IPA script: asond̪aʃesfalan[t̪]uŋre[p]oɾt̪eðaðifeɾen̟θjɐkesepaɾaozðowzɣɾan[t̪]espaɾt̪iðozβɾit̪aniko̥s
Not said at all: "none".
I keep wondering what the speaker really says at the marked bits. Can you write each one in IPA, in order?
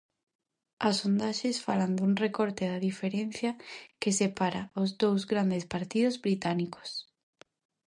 d̪, k, d̪

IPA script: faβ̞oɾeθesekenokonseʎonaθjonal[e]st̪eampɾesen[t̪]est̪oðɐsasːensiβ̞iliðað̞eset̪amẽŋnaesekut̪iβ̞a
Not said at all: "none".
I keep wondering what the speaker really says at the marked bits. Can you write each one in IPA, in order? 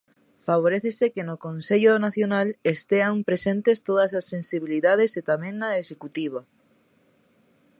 e, t̪

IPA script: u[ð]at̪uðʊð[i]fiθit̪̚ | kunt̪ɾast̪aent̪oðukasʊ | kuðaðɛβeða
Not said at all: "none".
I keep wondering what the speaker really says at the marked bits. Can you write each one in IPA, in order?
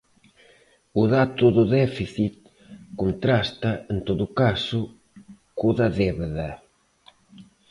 ð, ɛ

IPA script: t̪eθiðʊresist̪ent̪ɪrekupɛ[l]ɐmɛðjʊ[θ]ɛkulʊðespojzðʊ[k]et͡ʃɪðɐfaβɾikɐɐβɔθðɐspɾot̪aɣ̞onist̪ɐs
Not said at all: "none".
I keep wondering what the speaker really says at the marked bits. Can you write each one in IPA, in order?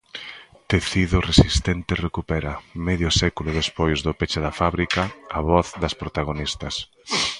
ɾ, s, p

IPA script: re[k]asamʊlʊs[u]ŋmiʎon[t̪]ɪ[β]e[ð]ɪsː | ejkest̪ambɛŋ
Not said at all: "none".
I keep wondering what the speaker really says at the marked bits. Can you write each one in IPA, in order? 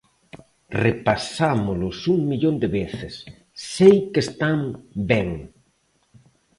p, u, d̪, β, θ

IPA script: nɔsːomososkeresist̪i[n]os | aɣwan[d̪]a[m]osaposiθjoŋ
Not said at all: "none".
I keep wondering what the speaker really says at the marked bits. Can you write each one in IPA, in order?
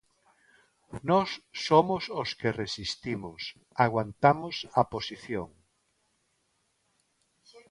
m, t̪, m

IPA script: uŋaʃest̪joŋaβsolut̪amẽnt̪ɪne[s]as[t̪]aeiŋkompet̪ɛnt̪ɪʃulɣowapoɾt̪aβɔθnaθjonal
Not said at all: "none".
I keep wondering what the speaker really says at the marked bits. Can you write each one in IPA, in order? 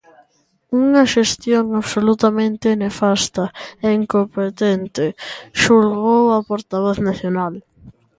f, t̪

